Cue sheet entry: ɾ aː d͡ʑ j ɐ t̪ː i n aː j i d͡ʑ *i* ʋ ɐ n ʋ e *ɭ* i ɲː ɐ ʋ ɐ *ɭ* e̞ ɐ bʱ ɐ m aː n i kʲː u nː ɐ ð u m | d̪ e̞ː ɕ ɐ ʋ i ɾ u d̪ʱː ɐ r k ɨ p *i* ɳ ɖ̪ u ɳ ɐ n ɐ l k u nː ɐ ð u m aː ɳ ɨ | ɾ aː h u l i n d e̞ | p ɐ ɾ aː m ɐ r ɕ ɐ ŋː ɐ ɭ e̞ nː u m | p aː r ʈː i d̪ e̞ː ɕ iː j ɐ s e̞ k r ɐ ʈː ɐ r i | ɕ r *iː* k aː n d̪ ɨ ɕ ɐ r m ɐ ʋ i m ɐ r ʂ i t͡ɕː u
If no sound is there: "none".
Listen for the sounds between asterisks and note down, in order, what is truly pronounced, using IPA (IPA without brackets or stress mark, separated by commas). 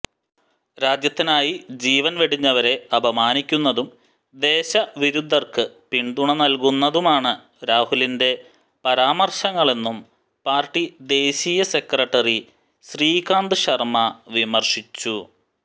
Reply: iː, ɽ, ɾ, i, iː